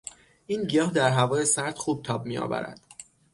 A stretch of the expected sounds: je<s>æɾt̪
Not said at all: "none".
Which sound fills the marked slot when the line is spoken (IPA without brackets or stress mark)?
s